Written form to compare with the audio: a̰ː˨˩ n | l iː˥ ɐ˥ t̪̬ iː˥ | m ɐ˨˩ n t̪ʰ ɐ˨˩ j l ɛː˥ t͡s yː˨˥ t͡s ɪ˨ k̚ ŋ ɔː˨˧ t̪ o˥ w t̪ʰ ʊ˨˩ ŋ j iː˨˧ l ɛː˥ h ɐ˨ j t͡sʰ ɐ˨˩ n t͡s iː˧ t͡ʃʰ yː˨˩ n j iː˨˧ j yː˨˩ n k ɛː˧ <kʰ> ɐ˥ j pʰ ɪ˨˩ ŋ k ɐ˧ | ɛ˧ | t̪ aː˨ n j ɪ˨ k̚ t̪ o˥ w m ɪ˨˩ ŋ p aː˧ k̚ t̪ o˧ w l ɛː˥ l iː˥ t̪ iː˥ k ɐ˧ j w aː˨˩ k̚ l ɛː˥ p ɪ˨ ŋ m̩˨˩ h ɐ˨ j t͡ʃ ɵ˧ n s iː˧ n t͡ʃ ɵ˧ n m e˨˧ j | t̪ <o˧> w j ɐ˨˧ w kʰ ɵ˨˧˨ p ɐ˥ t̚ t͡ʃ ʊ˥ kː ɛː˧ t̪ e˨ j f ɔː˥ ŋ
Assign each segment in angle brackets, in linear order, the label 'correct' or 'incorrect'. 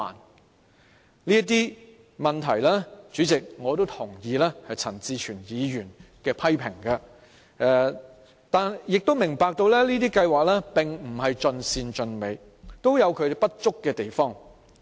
incorrect, incorrect

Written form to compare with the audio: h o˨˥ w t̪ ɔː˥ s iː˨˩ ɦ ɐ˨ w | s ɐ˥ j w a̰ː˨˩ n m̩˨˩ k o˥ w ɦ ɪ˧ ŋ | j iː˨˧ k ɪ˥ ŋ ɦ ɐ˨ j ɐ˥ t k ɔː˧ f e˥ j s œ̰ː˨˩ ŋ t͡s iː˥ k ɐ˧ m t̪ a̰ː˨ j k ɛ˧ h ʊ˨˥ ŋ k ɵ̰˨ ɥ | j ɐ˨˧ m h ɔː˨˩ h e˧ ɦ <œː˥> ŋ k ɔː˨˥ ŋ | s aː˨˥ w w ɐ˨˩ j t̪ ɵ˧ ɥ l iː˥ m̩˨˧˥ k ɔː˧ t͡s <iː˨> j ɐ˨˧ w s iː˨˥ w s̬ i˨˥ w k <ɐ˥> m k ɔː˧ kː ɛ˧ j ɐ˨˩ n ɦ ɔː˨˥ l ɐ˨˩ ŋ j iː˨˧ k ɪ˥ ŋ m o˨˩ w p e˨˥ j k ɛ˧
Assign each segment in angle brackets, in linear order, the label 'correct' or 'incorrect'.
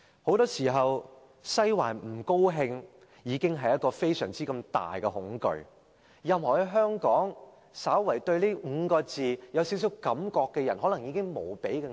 correct, correct, incorrect

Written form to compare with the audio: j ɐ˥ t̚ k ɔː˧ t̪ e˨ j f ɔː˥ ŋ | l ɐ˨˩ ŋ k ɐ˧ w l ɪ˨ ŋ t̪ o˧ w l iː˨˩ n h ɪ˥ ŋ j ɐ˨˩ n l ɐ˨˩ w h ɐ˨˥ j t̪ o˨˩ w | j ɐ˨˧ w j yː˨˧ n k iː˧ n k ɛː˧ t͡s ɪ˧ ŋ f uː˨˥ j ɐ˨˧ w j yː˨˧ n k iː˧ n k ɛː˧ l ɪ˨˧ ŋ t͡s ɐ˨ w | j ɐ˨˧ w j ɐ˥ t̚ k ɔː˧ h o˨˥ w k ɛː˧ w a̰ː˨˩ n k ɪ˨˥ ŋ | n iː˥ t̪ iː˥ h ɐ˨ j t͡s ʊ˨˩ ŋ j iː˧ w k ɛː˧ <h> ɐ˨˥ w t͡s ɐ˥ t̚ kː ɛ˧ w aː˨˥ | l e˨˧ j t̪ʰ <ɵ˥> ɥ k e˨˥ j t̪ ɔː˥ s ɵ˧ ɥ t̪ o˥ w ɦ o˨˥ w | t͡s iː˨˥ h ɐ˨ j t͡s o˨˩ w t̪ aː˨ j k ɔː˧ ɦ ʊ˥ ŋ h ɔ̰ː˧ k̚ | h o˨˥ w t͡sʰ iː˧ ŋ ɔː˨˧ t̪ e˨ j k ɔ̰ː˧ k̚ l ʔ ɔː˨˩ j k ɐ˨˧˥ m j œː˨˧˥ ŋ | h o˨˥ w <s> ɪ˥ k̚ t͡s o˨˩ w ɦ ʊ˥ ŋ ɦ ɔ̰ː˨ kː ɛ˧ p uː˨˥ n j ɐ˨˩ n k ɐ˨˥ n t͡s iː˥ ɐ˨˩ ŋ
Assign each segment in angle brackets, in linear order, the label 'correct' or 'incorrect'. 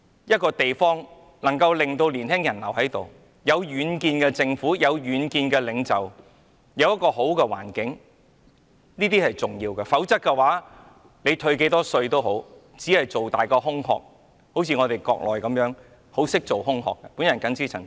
incorrect, incorrect, correct

